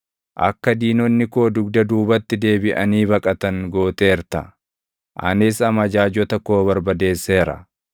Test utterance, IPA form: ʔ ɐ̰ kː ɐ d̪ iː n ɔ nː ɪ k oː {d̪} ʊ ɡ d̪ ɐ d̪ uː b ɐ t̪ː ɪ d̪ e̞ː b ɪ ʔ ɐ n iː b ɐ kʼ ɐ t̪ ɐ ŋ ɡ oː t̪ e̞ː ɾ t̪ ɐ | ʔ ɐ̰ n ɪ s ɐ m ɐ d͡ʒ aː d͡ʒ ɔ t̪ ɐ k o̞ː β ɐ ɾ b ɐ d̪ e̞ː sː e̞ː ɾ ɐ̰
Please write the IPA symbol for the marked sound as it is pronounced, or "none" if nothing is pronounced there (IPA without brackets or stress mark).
d̪